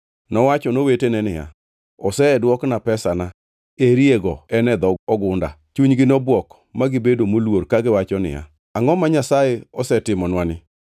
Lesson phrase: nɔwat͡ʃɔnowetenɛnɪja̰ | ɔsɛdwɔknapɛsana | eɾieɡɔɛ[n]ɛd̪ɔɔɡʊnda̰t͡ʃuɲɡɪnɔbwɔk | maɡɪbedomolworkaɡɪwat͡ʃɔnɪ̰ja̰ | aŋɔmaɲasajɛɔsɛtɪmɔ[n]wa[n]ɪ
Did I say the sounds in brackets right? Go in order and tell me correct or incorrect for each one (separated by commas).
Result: correct, correct, correct